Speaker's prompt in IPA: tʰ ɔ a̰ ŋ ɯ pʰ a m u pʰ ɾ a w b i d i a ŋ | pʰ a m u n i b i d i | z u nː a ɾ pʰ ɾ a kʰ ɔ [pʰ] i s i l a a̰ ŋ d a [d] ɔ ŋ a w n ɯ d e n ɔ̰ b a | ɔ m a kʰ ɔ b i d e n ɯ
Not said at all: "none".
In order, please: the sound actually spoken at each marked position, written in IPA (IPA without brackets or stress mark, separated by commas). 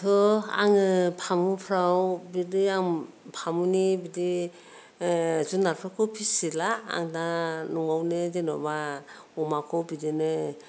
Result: pʰ, n